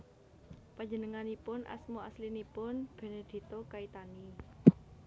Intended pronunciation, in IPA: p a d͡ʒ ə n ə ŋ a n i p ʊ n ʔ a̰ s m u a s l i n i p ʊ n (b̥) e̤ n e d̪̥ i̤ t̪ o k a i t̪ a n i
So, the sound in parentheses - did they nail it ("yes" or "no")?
yes